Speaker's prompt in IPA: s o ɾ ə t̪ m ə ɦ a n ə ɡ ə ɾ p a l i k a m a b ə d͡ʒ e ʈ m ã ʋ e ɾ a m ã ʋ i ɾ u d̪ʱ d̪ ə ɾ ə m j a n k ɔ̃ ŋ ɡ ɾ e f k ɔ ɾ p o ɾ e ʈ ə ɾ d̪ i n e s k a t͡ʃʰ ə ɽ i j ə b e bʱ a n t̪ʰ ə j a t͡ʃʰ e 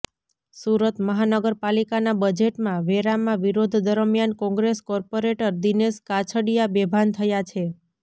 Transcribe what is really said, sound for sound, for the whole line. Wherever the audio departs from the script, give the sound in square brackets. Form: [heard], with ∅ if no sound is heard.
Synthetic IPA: s [u] ɾ ə t̪ m ə ɦ a n ə ɡ ə ɾ p a l i k a [n] a b ə d͡ʒ e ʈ m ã ʋ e ɾ a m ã ʋ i ɾ [o] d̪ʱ d̪ ə ɾ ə m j a n k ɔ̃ ŋ ɡ ɾ e [s] k ɔ ɾ p o ɾ e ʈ ə ɾ d̪ i n e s k a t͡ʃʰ ə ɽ i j [a] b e bʱ a n t̪ʰ ə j a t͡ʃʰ e